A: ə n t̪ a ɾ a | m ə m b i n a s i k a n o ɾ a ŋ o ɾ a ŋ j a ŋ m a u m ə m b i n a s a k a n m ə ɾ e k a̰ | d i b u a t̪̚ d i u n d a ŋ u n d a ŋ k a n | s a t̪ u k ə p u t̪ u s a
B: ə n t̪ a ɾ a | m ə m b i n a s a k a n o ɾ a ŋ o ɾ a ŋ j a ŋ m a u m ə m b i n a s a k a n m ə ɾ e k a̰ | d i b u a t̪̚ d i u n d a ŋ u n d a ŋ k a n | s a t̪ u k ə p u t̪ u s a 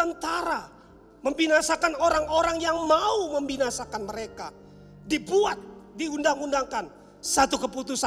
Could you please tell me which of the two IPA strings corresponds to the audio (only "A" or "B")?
B